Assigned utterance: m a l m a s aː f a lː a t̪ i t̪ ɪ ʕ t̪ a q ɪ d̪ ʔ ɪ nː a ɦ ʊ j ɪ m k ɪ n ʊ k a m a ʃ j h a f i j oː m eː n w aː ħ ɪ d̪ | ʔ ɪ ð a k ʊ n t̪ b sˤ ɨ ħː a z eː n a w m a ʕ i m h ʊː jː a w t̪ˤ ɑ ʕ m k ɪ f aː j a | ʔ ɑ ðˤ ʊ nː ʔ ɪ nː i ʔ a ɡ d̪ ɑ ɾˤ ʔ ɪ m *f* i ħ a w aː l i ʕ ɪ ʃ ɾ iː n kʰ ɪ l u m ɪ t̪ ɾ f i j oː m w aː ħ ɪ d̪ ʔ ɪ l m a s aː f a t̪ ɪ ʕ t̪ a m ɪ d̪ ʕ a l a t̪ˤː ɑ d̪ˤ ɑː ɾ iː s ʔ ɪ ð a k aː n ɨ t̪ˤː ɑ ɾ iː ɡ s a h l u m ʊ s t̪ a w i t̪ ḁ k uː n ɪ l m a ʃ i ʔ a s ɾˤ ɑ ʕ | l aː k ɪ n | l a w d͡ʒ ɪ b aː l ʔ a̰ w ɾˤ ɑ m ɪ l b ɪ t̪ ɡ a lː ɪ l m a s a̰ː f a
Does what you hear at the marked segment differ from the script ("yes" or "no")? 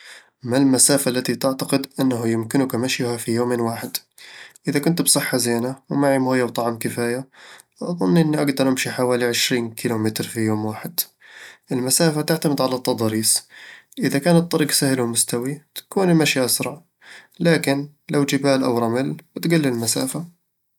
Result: yes